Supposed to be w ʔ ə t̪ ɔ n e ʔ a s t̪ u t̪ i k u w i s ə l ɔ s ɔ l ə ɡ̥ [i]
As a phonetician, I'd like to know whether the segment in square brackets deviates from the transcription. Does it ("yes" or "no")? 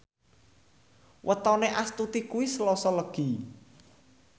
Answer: no